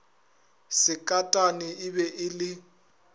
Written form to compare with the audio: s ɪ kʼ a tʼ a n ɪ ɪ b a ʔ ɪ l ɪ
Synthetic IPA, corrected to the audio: s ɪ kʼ a tʼ a n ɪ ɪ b ɛ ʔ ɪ l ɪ